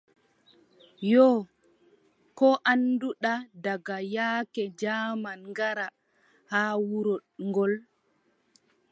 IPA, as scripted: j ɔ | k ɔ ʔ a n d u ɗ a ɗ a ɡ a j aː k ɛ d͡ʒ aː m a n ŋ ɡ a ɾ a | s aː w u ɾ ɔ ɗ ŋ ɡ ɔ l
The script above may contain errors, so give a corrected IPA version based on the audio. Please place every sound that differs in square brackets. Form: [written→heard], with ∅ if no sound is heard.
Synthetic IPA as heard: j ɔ | k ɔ ʔ a n d u ɗ a [ɗ→d] a ɡ a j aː k ɛ d͡ʒ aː m a n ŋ ɡ a ɾ a | [s→h] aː w u ɾ ɔ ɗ ŋ ɡ ɔ l

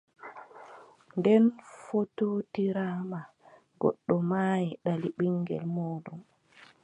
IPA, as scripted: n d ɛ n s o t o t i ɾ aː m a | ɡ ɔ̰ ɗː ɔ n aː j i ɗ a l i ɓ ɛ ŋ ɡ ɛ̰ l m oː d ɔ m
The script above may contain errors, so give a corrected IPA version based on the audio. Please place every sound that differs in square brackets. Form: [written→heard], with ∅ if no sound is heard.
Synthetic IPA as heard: n d ɛ n [s→f] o t o t i ɾ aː m a | ɡ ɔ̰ ɗː ɔ [n→m] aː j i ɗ a l i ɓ [ɛ→i] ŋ ɡ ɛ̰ l m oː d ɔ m

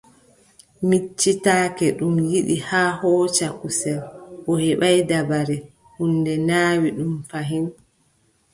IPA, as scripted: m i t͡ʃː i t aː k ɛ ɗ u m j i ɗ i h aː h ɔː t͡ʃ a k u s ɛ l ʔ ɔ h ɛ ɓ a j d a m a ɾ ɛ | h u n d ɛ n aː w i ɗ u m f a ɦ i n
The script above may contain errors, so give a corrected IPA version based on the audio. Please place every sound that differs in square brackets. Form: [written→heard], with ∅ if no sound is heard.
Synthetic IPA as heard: m i t͡ʃː i t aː k ɛ ɗ u m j i ɗ i h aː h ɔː t͡ʃ a k u s ɛ l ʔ ɔ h ɛ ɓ a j d a [m→b] a ɾ ɛ | h u n d ɛ n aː w i ɗ u m f a ɦ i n

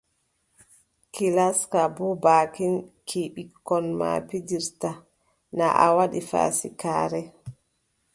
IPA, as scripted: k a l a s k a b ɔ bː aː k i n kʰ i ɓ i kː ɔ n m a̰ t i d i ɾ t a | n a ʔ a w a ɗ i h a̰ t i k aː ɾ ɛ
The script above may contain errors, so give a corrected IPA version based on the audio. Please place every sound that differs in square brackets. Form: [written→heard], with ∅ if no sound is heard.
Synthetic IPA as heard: k [a→i] l a s k a b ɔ [bː→b] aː k i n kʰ i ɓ i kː ɔ n m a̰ [t→p] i d i ɾ t a | n a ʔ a w a ɗ i [h→f] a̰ [t→s] i k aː ɾ ɛ

